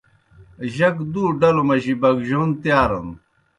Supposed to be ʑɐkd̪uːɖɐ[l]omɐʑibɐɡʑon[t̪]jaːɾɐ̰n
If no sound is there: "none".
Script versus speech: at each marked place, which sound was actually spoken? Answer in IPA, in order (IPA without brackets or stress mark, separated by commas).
l, t̪